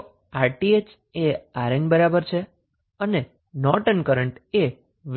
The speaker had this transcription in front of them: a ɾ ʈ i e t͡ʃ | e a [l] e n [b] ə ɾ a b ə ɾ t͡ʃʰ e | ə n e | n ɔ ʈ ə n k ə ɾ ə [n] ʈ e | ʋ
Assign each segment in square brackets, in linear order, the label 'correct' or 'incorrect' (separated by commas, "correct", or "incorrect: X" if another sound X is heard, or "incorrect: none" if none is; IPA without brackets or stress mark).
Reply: incorrect: ɾ, correct, incorrect: ɳ